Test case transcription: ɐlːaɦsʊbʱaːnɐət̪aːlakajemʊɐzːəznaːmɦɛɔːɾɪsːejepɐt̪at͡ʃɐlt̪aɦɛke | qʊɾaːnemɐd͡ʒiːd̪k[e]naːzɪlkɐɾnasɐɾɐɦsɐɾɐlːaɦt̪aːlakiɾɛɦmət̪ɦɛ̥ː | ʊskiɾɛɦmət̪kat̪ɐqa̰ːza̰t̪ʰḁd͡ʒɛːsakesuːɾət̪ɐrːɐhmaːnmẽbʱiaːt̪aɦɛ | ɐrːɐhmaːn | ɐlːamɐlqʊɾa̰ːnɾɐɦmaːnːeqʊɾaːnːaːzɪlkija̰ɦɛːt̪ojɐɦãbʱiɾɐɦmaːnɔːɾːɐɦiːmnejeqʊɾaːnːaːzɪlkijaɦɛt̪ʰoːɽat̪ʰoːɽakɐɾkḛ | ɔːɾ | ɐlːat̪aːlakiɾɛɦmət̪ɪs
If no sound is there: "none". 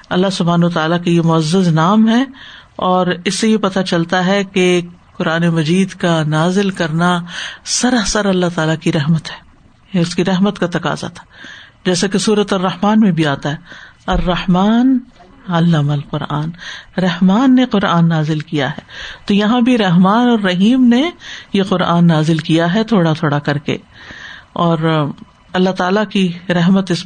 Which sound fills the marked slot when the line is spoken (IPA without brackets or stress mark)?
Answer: a